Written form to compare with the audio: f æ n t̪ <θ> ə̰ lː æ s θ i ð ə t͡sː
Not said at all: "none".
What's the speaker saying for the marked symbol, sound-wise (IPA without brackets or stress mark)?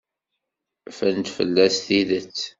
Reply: f